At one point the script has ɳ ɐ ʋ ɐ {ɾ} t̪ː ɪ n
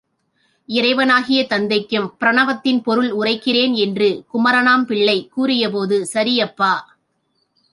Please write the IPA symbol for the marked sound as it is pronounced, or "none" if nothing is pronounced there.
none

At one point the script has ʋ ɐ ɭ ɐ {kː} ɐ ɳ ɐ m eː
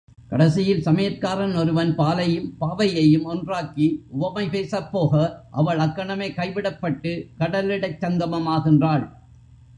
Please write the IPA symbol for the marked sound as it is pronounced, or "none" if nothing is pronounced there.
kː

